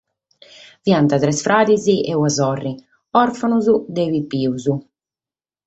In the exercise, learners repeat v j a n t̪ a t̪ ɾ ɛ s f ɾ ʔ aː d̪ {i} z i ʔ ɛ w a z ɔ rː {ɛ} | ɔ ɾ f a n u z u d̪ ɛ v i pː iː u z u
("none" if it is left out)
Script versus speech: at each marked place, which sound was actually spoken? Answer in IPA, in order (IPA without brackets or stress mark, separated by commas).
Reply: i, i